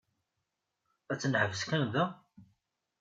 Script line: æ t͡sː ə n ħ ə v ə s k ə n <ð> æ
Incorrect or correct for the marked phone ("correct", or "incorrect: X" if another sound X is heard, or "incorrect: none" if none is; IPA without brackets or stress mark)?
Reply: correct